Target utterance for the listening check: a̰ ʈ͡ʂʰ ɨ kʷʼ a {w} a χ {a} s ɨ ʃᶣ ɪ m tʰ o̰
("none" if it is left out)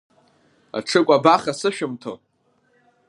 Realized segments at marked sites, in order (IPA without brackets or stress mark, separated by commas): b, a